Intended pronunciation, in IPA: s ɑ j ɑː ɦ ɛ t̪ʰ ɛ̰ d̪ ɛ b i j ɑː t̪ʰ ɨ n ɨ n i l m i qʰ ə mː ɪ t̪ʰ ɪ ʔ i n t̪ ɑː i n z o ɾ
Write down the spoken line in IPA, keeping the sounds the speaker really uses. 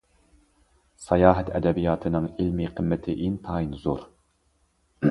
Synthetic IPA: s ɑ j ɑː ɦ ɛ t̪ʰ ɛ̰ d̪ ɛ b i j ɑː t̪ʰ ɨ n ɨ ŋ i l m i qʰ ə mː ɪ t̪ʰ ɪ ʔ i n t̪ʰ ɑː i n z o ɾ